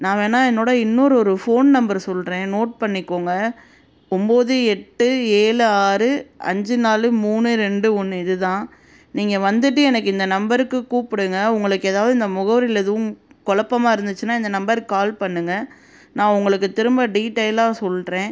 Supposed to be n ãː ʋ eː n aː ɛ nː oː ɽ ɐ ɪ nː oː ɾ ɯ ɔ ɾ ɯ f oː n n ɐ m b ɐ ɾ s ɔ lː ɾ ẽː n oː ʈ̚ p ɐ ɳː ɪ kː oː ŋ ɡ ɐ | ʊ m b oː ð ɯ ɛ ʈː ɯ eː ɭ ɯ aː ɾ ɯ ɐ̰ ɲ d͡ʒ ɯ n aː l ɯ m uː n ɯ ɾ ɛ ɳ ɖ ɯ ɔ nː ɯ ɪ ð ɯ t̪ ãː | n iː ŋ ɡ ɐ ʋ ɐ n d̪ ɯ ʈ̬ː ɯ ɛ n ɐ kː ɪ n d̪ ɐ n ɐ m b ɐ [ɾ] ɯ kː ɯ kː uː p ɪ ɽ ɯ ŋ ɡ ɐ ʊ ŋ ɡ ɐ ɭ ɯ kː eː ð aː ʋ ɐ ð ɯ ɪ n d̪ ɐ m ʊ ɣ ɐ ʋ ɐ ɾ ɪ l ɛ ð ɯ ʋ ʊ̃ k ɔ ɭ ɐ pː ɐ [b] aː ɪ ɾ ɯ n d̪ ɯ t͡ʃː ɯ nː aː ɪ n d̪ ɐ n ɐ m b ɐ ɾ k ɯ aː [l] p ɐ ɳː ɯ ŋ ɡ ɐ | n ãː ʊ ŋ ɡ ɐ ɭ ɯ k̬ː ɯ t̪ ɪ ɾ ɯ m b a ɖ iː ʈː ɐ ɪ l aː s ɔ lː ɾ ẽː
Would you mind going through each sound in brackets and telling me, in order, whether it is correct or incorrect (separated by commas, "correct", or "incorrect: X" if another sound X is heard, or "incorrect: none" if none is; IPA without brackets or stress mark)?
correct, incorrect: m, correct